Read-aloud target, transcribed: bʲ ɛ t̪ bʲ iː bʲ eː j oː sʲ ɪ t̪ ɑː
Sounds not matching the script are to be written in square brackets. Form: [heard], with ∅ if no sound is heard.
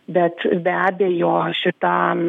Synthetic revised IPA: bʲ ɛ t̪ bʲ [æː] bʲ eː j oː [ʃʲ] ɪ t̪ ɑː

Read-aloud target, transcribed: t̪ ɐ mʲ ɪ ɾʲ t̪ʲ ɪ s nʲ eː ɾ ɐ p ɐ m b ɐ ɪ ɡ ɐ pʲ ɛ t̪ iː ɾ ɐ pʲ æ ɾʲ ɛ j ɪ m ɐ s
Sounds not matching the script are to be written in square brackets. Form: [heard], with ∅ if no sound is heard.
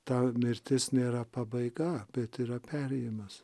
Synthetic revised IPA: t̪ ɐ mʲ ɪ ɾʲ t̪ʲ ɪ s nʲ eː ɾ ɐ p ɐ [∅] b ɐ ɪ ɡ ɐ [bʲ] ɛ t̪ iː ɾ ɐ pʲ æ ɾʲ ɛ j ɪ m ɐ s

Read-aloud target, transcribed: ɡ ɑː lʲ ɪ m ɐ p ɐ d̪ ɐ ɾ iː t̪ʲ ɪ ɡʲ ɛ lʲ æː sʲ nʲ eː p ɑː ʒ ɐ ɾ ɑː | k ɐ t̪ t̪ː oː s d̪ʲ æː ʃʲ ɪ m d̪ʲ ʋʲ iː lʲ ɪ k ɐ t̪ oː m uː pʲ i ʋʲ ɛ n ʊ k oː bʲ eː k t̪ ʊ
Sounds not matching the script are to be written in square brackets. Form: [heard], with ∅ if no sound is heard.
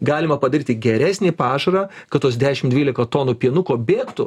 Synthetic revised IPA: ɡ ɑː lʲ ɪ m ɐ p ɐ d̪ ɐ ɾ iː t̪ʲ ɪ ɡʲ ɛ [ɾʲ] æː sʲ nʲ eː p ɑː ʒ ɐ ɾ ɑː | k ɐ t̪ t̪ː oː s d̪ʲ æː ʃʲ ɪ m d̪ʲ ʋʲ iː lʲ ɪ k ɐ t̪ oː [n] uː pʲ i [∅] ɛ n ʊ k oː bʲ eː k t̪ ʊ

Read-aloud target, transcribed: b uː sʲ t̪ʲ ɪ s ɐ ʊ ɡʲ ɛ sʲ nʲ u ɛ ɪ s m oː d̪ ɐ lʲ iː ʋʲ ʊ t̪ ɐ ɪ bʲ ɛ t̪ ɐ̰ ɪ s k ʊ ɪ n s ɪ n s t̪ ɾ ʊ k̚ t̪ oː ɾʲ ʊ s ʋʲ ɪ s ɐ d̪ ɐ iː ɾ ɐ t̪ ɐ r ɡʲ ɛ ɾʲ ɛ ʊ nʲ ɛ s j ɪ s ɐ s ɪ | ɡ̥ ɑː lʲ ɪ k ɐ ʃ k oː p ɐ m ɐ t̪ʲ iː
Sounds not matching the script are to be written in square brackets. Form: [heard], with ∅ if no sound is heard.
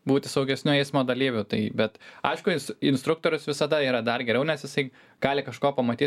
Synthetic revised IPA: b uː [∅] t̪ʲ ɪ s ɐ ʊ ɡʲ ɛ sʲ nʲ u ɛ ɪ s m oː d̪ ɐ lʲ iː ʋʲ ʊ t̪ ɐ ɪ bʲ ɛ t̪ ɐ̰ ɪ [ʃ] k ʊ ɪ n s ɪ n s t̪ ɾ ʊ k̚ t̪ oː ɾʲ ʊ s ʋʲ ɪ s ɐ d̪ ɐ iː ɾ ɐ [d̪] ɐ r ɡʲ ɛ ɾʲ ɛ ʊ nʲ ɛ s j ɪ s ɐ [∅] ɪ | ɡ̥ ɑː lʲ ɪ k ɐ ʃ k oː p ɐ m ɐ t̪ʲ iː

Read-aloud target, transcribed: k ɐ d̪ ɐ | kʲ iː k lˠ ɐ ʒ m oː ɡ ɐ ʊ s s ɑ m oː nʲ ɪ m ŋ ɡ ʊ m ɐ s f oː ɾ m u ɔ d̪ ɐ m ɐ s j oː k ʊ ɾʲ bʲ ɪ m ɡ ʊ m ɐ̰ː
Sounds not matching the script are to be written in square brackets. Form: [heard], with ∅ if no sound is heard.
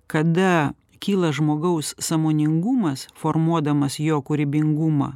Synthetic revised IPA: k ɐ d̪ ɐ | kʲ iː [∅] lˠ ɐ ʒ m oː ɡ ɐ ʊ s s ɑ m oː nʲ ɪ [∅] ŋ ɡ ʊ m ɐ s f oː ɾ m u ɔ d̪ ɐ m ɐ s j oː k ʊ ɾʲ bʲ ɪ [ŋ] ɡ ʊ m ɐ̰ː

